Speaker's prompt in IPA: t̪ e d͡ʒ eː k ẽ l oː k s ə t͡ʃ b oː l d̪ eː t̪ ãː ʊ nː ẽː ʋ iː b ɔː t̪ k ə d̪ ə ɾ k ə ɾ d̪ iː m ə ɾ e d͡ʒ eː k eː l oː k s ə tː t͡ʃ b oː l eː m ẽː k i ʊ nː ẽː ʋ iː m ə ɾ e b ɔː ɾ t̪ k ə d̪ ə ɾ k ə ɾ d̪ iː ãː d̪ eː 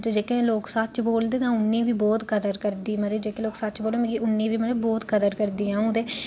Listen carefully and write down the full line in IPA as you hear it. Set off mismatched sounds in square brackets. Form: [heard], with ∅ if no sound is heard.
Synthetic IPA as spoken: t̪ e d͡ʒ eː k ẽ l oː k s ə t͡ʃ b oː l d̪ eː t̪ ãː ʊ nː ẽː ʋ iː b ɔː t̪ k ə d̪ ə ɾ k ə ɾ d̪ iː m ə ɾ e d͡ʒ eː k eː l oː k s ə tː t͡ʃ b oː l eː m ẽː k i ʊ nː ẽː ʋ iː m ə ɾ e b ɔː [∅] t̪ k ə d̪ ə ɾ k ə ɾ d̪ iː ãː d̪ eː